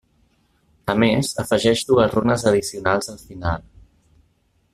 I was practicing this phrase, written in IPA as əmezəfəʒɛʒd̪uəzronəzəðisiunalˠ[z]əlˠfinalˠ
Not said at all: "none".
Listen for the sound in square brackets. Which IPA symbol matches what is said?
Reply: z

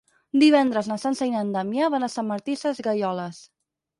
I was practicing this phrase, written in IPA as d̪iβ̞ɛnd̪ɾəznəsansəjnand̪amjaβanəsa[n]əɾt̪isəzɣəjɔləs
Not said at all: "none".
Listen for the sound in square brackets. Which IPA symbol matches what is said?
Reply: m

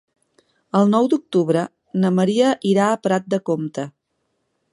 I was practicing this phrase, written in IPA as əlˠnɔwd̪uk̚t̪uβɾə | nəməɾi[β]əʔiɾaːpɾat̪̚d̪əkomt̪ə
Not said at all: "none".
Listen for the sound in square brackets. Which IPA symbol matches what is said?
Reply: none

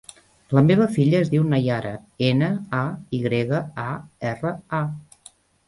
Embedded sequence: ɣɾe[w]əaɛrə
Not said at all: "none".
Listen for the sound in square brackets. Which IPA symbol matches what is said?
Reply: ɣ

